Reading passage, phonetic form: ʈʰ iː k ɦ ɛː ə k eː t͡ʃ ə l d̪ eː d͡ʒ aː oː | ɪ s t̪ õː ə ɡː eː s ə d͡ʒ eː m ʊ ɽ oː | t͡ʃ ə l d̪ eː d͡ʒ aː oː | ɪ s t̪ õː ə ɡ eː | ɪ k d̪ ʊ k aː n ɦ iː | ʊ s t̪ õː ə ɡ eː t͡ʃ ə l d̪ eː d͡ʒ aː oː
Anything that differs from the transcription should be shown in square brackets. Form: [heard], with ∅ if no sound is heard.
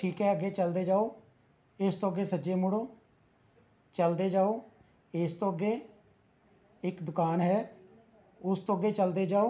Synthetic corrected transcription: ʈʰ iː k ɦ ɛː ə [ɡ] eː t͡ʃ ə l d̪ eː d͡ʒ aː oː | ɪ s t̪ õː ə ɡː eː s ə d͡ʒ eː m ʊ ɽ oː | t͡ʃ ə l d̪ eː d͡ʒ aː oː | ɪ s t̪ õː ə ɡ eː | ɪ k d̪ ʊ k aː n ɦ [ɛː] | ʊ s t̪ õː ə ɡ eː t͡ʃ ə l d̪ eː d͡ʒ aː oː